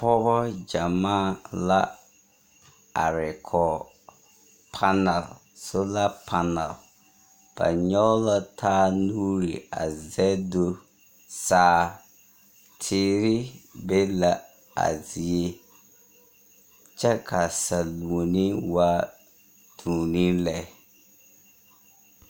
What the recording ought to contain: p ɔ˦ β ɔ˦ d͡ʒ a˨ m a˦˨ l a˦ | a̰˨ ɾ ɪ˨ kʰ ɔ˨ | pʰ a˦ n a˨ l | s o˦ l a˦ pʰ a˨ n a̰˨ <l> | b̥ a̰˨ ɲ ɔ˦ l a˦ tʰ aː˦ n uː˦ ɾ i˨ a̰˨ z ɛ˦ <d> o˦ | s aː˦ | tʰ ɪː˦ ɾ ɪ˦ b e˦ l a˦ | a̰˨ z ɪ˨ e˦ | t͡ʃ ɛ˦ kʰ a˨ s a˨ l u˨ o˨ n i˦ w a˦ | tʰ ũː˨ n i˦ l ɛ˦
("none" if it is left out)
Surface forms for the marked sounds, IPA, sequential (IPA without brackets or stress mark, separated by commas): l, d